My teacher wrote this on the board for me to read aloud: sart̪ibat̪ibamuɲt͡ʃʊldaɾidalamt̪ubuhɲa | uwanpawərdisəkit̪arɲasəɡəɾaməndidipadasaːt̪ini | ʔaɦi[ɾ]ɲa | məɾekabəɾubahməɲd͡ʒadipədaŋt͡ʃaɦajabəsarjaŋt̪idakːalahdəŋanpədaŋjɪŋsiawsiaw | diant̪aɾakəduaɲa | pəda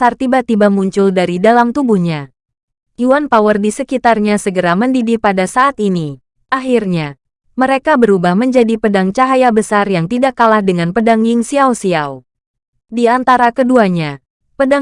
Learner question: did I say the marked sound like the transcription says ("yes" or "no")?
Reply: no